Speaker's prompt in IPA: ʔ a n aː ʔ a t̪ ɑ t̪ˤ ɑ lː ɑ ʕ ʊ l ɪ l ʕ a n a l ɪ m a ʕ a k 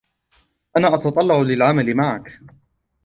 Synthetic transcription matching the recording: ʔ a n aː ʔ ɑ t̪ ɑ t̪ˤ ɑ lː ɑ ʕ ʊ l ɪ l ʕ a m a l ɪ m a ʕ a k